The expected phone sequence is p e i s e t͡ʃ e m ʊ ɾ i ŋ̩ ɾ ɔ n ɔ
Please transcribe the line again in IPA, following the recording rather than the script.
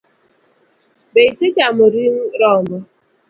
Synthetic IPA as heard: b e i s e t͡ʃ a m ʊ ɾ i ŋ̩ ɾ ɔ m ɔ

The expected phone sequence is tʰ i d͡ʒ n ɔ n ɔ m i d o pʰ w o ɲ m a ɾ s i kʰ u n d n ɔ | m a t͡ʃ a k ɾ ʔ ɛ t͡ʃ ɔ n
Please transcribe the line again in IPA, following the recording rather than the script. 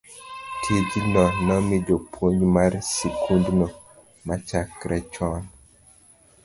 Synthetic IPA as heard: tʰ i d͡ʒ n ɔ n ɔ m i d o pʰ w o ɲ m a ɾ s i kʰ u n d n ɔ | m a t͡ʃ a k ɾ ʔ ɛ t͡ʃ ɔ n

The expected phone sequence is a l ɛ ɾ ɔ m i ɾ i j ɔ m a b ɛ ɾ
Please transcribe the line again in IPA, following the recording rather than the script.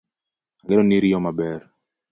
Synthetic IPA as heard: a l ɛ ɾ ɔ n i ɾ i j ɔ m a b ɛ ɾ

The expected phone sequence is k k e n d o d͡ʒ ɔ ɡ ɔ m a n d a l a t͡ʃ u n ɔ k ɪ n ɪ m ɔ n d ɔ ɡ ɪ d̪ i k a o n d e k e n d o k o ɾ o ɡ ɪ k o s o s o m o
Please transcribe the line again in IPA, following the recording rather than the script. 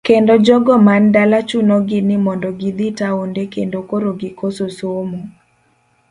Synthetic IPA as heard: k k e n d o d͡ʒ ɔ ɡ ɔ m a n d a l a t͡ʃ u n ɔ ɡ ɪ n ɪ m ɔ n d ɔ ɡ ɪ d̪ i t a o n d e k e n d o k o ɾ o ɡ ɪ k o s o s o m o

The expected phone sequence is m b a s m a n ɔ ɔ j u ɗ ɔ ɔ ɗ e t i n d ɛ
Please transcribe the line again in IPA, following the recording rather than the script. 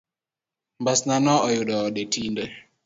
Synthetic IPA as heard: m b a s n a n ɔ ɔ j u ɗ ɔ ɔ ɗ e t i n d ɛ

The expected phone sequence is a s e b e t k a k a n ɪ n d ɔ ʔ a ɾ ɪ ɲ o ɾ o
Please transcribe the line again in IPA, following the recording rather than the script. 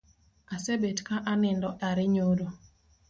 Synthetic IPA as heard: a s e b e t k a ʔ a n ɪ n d ɔ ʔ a ɾ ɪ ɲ o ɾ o

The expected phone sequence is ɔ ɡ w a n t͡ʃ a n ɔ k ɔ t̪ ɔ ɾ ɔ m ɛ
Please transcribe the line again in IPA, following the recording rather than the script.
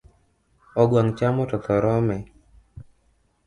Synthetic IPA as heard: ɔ ɡ w a ŋ t͡ʃ a m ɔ t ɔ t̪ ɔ ɾ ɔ m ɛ

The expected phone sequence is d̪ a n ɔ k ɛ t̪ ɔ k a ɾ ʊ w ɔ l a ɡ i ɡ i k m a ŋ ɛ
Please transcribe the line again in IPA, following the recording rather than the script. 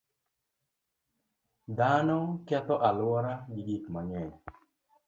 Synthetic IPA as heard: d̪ a n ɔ k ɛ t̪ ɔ ʔ a l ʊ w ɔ ɾ a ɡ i ɡ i k m a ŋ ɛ

